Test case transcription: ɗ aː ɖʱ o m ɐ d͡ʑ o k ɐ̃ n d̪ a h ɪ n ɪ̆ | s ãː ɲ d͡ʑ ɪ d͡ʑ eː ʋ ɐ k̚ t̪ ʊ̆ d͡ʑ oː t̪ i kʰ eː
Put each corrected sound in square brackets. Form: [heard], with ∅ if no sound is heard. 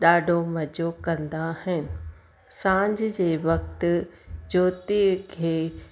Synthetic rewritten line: ɗ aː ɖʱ o m ɐ d͡ʑ o k ɐ̃ n d̪ a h ɪ n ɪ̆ | s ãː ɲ d͡ʑ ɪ d͡ʑ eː ʋ ɐ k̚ t̪ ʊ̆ d͡ʑ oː t̪ i kʰ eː